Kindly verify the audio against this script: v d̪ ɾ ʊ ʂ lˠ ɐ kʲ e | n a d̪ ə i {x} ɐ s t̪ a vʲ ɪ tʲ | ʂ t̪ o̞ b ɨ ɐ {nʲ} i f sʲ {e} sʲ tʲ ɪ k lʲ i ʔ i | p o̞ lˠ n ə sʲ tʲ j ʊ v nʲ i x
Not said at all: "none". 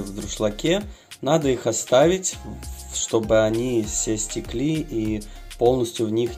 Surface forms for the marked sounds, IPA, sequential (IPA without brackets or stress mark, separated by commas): x, nʲ, e